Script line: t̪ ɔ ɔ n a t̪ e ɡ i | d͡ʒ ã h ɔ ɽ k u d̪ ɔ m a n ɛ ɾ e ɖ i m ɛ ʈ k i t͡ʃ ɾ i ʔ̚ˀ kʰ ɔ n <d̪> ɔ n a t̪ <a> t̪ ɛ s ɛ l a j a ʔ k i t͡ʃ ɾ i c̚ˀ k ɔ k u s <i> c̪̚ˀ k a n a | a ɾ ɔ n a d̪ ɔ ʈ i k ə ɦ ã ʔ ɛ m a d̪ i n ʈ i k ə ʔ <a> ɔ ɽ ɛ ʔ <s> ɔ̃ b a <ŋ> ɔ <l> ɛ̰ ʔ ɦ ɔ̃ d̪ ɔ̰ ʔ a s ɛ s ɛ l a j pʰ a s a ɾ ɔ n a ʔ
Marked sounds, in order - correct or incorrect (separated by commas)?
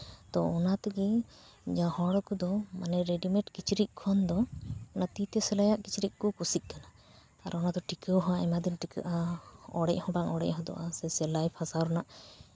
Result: correct, incorrect, correct, correct, incorrect, correct, incorrect